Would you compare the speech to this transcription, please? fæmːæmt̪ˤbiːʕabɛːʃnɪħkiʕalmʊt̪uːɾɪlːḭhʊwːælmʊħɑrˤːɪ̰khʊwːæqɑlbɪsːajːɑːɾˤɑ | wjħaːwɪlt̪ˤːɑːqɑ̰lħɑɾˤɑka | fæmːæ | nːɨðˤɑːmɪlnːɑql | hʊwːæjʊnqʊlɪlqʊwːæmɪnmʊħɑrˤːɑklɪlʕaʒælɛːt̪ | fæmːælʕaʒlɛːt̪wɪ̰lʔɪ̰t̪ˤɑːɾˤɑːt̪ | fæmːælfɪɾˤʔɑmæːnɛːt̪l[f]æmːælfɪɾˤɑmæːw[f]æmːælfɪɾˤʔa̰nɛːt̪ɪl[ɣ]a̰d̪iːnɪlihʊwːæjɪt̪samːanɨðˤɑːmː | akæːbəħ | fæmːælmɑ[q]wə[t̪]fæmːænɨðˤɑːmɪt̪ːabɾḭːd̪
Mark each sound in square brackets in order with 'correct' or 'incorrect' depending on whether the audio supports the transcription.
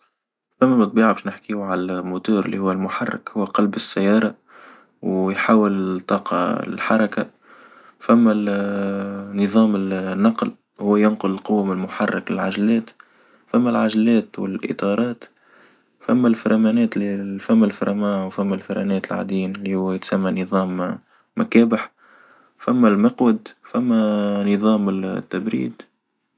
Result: correct, correct, incorrect: ʕ, correct, incorrect: d̪

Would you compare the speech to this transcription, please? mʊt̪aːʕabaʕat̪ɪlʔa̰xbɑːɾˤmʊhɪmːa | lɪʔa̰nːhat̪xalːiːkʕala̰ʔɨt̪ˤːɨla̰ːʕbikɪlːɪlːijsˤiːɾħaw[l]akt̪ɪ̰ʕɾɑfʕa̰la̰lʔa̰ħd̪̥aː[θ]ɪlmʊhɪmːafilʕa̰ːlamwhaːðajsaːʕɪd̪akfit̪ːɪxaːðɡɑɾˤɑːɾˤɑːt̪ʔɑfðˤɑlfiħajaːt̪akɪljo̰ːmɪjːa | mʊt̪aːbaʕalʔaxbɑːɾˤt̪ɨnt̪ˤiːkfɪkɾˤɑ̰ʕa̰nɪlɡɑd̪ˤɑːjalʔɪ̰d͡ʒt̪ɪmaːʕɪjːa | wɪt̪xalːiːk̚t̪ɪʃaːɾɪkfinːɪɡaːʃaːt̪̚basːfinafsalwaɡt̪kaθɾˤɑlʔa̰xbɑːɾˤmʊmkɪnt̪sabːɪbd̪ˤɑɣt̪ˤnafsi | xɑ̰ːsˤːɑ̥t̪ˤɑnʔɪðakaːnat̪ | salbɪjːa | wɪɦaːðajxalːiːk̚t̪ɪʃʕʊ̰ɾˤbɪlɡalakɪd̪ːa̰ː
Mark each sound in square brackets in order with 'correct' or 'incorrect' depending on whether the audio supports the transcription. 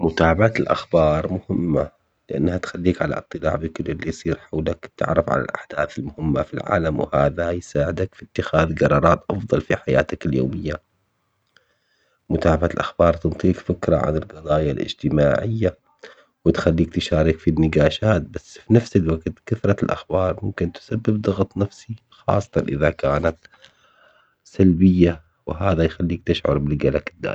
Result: correct, correct

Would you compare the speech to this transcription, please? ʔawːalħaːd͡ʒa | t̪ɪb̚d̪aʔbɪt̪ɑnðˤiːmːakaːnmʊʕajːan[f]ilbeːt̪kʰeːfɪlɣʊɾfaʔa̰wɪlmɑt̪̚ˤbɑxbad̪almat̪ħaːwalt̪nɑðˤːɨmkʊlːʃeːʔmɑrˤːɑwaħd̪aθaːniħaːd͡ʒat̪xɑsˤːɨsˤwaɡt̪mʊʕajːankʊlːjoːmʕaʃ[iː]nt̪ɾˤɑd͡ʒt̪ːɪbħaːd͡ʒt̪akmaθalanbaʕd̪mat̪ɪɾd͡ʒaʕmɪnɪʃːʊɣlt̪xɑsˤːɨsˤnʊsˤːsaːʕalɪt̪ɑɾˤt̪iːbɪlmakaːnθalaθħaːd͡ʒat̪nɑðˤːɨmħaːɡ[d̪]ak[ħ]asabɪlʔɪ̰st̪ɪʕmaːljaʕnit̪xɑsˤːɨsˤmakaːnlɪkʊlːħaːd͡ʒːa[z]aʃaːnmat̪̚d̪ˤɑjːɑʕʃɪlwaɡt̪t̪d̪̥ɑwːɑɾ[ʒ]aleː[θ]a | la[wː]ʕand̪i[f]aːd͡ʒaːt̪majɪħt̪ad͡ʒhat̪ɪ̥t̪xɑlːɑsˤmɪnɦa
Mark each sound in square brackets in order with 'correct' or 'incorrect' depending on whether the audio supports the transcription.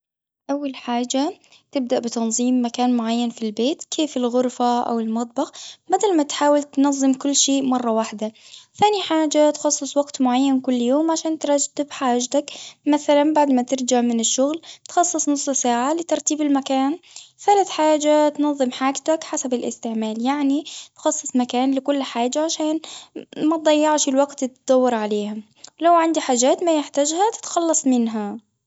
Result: correct, incorrect: aː, incorrect: t̪, correct, incorrect: ʕ, incorrect: ʕ, incorrect: h, incorrect: w, incorrect: ħ

